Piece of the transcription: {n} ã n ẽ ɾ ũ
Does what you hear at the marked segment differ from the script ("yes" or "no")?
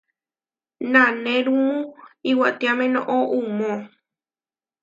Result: no